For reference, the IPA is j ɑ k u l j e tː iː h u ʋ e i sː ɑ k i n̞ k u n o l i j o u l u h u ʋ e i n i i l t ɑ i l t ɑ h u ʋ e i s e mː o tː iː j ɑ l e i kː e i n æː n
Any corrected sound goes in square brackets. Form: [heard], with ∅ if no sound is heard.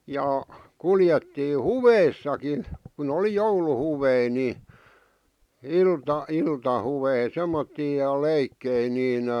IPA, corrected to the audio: j ɑ k u l j e tː iː h u ʋ e i sː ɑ k i n̞ k u n o l i j o u l u h u ʋ e i n i i l t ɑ i l t ɑ h u ʋ e i s e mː o tː iː j ɑ l e i kː e i n [iː] n